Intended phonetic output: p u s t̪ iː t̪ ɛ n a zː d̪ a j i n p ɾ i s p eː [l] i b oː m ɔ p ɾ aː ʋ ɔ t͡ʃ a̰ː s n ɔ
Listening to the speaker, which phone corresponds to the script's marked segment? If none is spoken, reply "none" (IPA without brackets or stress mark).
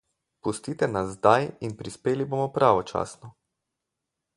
l